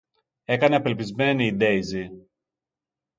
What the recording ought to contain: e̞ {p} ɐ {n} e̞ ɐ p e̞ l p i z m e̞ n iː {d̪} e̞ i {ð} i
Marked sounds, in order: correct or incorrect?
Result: incorrect: k, correct, correct, incorrect: z

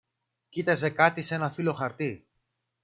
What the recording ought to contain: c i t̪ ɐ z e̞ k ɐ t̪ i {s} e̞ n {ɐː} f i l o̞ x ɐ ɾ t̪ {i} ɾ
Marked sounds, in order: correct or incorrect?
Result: correct, incorrect: ɐ, correct

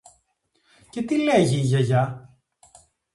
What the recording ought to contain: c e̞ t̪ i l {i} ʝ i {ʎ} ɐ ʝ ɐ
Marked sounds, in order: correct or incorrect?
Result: incorrect: e, incorrect: ʝ

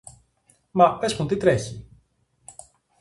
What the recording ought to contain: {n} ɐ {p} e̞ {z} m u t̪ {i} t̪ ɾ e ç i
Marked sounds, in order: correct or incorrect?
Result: incorrect: m, correct, incorrect: s, correct

